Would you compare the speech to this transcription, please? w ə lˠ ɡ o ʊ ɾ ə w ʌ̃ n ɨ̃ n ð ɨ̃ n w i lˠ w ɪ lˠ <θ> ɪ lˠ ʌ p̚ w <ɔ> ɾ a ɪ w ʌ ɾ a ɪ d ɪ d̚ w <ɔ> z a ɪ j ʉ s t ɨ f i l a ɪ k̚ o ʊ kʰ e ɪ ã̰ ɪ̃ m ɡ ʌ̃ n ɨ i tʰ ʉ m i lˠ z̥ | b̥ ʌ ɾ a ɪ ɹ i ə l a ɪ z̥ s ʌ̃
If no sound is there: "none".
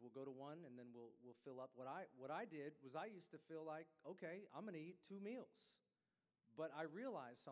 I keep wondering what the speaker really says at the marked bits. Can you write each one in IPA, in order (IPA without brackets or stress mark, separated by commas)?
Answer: f, ʌ, ʌ